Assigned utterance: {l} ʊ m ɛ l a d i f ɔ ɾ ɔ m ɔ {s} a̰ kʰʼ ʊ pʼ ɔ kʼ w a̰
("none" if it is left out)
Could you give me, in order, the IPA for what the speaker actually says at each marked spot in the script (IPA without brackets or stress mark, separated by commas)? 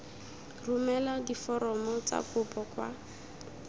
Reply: r, t͡s